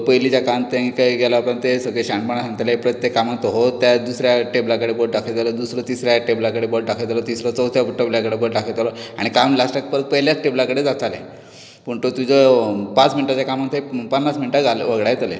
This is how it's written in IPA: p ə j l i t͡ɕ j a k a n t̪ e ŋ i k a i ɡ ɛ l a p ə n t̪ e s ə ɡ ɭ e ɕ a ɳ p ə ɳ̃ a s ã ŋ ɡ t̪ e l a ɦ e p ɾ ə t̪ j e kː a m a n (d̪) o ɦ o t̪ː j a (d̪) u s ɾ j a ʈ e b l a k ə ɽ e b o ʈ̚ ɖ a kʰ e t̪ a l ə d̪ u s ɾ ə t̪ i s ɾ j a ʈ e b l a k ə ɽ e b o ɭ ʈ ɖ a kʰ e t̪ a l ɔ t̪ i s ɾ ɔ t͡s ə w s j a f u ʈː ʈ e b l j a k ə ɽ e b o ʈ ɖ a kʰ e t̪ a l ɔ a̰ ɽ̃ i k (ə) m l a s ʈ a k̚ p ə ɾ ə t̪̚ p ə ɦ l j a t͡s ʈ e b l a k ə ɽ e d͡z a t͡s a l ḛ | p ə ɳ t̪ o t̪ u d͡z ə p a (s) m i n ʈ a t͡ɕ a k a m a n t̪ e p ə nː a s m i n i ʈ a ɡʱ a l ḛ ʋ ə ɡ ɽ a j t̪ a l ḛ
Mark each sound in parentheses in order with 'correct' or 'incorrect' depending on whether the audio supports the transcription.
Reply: incorrect, correct, incorrect, incorrect

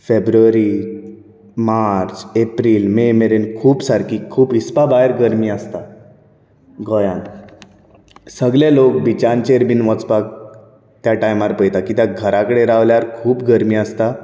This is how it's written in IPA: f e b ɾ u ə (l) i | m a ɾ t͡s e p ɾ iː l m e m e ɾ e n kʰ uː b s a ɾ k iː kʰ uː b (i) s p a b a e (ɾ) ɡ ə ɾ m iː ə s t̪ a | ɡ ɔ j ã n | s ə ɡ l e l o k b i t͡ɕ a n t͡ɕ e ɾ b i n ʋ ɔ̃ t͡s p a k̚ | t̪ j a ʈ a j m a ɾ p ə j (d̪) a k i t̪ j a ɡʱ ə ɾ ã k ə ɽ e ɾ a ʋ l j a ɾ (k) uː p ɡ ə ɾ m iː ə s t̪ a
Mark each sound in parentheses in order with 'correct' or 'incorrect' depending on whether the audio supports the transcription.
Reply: incorrect, correct, correct, incorrect, incorrect

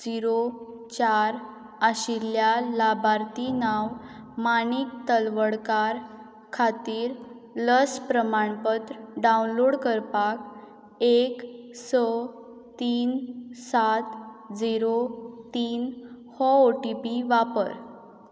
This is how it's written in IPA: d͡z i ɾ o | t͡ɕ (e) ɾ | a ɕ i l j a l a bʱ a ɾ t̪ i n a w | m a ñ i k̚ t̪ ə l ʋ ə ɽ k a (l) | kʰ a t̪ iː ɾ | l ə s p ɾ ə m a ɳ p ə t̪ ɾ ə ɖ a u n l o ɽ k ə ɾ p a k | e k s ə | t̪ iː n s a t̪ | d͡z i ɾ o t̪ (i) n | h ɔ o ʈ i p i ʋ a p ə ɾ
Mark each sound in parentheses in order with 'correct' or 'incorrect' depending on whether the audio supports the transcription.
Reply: incorrect, incorrect, incorrect

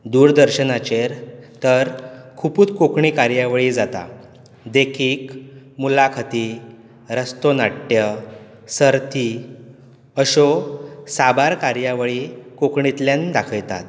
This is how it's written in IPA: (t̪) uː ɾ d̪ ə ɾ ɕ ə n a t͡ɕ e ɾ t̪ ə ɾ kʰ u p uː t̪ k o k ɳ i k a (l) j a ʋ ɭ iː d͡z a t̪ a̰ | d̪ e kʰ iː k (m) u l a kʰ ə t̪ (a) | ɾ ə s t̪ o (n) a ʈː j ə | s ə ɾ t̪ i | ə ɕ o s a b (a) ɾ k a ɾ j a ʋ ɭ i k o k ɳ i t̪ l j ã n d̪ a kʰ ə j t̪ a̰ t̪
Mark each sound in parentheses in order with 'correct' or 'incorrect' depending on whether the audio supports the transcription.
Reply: incorrect, incorrect, correct, incorrect, correct, correct

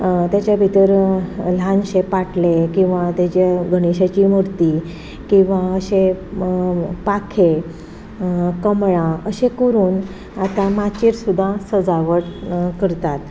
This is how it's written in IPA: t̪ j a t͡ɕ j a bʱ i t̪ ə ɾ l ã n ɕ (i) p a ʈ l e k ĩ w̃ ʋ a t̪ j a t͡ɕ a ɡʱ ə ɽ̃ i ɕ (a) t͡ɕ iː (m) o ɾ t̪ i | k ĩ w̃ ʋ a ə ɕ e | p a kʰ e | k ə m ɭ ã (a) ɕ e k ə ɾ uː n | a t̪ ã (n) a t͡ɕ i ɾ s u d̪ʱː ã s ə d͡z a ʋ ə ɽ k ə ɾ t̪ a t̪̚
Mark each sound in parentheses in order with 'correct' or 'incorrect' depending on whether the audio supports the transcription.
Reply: incorrect, correct, correct, incorrect, incorrect

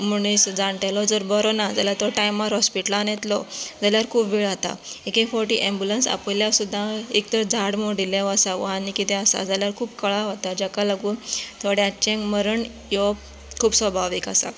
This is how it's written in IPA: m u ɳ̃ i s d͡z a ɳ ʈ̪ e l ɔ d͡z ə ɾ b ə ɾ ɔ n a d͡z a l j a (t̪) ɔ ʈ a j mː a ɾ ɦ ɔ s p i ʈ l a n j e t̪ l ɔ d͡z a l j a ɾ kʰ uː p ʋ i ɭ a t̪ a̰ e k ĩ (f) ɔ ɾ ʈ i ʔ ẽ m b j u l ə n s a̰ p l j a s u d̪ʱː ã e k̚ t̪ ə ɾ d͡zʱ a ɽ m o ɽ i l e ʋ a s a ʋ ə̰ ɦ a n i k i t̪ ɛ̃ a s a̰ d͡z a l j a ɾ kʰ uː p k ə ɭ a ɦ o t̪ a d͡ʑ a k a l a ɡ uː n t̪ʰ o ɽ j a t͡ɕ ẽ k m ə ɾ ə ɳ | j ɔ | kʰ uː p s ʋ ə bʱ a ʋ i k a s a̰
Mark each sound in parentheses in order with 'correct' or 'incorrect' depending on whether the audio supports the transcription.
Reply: correct, correct

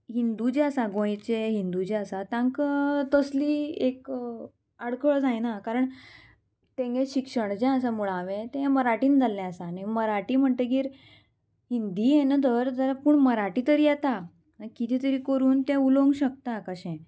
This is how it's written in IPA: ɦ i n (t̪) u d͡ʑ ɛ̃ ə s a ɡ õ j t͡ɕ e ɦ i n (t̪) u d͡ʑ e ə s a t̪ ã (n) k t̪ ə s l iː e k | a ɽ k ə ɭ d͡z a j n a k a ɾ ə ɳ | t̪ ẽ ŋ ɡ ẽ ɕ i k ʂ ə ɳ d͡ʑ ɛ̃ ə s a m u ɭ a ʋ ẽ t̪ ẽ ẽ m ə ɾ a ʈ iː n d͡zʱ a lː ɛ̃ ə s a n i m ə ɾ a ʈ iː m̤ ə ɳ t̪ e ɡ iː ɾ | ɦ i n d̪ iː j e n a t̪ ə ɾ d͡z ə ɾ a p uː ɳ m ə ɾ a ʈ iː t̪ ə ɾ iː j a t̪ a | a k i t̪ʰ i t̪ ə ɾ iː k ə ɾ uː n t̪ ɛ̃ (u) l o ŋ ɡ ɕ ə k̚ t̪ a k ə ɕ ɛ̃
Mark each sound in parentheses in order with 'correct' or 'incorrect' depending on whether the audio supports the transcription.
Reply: incorrect, incorrect, incorrect, correct

